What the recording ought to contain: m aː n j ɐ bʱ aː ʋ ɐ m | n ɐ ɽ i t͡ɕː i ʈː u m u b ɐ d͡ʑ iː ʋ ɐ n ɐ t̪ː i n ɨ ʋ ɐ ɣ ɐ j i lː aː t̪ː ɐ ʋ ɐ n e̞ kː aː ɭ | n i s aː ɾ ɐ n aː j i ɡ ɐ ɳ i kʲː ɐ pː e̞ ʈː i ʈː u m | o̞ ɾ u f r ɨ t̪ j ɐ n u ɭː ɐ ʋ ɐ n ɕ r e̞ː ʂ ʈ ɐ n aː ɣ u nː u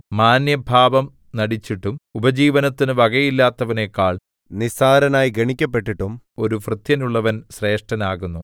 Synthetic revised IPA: m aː n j ɐ bʱ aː ʋ ɐ m | n ɐ ɽ i t͡ɕː i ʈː u m u b ɐ d͡ʑ iː ʋ ɐ n ɐ t̪ː i n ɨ ʋ ɐ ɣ ɐ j i lː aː t̪ː ɐ ʋ ɐ n e̞ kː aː ɭ | n i s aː ɾ ɐ n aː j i ɡ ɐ ɳ i kʲː ɐ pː e̞ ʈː i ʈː u m | o̞ ɾ u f r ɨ t̪ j ɐ n u ɭː ɐ ʋ ɐ n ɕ r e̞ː ʂ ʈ ɐ n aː ɣ u nː u